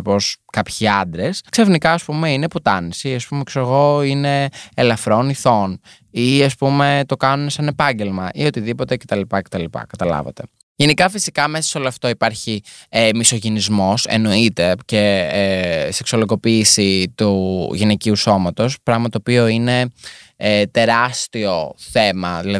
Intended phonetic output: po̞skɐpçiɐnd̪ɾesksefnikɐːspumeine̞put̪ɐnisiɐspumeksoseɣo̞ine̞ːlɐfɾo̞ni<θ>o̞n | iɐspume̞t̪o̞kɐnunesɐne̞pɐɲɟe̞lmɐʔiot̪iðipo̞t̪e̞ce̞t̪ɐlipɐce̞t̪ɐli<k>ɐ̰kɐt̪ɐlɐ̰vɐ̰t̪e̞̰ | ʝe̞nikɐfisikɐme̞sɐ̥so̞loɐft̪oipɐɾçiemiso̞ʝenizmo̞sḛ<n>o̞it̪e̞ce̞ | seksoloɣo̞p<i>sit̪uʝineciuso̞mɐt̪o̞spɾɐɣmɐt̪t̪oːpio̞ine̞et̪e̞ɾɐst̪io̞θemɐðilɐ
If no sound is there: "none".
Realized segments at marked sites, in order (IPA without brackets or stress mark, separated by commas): θ, p, n, iː